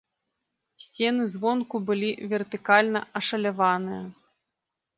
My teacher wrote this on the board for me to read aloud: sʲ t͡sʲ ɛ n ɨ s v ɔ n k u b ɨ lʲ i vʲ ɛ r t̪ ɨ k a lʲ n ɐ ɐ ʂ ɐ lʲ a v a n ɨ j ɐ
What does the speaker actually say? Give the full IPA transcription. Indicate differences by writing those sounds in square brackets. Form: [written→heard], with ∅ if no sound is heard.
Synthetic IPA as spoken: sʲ t͡sʲ ɛ n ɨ [s→z] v ɔ n k u b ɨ lʲ i vʲ ɛ r t̪ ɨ k a lʲ n ɐ ɐ ʂ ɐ lʲ a v a n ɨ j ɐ